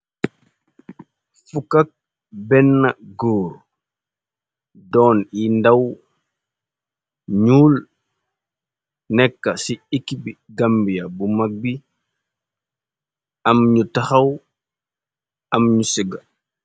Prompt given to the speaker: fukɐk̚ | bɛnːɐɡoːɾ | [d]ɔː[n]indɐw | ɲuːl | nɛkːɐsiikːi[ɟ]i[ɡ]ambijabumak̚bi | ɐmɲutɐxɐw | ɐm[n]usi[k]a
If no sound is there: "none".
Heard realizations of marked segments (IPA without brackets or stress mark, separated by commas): d, n, b, ɡ, ɲ, ɡ